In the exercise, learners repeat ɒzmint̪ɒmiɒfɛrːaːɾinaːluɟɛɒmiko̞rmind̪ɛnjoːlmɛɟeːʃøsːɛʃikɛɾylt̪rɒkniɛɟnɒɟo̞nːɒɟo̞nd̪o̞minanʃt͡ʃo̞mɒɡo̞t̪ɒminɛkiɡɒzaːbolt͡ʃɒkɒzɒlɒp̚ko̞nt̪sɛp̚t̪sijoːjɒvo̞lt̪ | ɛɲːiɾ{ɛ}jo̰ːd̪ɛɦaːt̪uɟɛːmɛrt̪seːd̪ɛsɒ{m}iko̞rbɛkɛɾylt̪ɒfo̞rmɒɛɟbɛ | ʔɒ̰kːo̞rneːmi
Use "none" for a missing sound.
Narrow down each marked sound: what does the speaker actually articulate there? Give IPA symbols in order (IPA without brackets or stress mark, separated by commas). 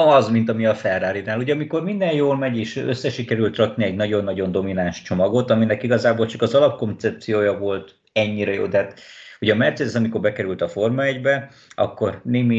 ɛ, m